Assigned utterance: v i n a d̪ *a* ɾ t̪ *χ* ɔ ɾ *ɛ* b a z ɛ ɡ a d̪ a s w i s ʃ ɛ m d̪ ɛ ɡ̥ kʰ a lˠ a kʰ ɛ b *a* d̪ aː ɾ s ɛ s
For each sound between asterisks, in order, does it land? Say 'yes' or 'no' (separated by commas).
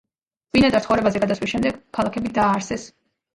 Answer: yes, yes, yes, no